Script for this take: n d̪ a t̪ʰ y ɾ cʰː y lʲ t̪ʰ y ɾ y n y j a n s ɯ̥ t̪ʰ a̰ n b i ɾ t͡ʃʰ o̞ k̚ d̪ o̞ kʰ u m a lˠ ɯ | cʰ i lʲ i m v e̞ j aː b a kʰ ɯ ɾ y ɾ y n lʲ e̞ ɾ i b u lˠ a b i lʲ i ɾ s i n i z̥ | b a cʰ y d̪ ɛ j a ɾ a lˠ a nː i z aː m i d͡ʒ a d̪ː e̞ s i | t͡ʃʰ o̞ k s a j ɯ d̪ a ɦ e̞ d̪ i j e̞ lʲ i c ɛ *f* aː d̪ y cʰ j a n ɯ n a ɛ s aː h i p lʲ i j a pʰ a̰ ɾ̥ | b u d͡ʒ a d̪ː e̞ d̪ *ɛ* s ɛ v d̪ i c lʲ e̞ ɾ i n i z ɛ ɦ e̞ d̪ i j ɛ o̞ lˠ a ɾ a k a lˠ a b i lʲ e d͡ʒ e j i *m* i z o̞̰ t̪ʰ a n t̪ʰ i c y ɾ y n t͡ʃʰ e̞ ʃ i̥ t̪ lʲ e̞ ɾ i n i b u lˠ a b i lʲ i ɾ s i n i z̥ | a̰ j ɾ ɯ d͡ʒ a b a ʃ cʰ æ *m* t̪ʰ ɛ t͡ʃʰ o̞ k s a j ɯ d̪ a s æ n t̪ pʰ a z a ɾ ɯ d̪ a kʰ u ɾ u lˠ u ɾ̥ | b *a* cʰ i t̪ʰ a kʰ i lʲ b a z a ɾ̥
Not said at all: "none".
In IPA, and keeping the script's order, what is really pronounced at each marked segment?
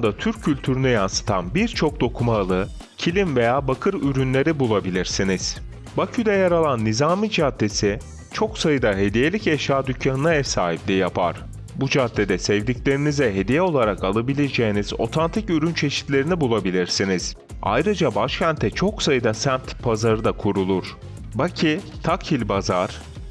ʃ, ɛ, n, n, a

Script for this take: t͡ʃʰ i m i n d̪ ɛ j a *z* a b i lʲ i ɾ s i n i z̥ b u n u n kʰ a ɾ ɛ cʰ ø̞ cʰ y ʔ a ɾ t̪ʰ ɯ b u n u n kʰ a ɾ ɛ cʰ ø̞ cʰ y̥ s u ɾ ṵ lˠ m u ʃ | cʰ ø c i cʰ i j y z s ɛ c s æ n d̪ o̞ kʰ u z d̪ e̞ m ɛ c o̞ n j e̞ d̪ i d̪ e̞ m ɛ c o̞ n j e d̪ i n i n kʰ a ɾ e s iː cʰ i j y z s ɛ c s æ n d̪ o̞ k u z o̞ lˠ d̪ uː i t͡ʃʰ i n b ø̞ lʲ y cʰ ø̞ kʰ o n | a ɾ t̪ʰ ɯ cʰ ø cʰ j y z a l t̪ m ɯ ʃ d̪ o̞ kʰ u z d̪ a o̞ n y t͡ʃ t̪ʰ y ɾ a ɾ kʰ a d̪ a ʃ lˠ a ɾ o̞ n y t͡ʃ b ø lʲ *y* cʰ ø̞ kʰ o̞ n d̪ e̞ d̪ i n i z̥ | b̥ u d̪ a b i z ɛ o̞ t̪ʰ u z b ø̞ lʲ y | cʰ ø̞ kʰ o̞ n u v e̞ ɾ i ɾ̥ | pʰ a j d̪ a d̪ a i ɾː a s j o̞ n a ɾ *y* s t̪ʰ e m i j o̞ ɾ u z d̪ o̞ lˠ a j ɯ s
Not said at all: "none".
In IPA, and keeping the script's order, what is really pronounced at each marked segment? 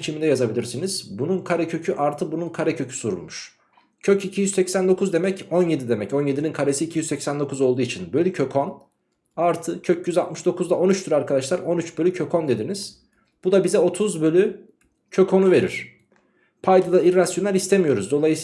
z, y, i

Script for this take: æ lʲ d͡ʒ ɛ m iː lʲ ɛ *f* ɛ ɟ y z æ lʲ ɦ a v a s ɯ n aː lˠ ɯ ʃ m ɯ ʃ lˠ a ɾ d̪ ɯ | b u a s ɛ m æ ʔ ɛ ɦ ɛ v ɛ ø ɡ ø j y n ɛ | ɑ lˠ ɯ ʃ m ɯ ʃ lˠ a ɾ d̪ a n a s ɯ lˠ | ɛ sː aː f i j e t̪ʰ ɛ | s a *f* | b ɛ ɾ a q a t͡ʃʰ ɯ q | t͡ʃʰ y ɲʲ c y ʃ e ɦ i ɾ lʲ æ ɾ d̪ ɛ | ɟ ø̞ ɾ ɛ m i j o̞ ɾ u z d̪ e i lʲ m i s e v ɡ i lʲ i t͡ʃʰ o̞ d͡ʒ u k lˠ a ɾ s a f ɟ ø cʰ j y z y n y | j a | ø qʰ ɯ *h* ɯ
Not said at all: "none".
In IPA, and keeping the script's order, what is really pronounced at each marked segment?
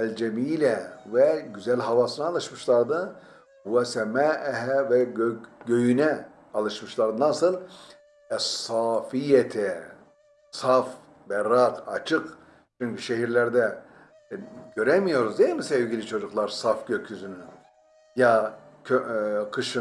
v, f, ʃ

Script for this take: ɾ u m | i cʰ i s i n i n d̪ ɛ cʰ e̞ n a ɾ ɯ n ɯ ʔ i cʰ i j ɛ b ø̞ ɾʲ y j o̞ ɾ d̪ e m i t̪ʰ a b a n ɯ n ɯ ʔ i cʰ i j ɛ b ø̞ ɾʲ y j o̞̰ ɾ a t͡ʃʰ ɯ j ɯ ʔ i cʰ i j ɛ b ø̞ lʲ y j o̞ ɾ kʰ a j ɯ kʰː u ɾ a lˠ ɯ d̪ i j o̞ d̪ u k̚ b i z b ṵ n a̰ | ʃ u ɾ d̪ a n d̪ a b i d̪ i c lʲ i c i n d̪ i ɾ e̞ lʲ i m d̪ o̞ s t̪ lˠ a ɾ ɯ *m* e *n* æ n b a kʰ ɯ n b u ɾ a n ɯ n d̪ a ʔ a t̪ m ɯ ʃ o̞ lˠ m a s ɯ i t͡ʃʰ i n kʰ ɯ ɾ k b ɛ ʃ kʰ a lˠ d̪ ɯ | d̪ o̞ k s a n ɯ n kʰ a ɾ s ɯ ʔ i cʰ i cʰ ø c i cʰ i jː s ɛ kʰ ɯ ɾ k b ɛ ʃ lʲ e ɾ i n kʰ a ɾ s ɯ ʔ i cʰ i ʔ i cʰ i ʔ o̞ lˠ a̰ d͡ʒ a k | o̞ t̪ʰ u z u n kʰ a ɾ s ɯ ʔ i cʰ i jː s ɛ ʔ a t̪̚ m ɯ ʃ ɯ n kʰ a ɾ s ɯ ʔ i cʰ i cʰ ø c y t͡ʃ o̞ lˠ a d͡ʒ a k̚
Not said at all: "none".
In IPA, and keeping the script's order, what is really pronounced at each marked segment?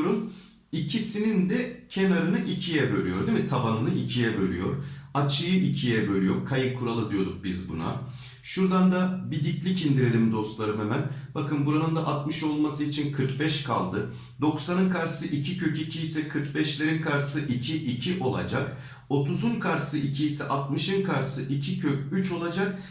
m, m

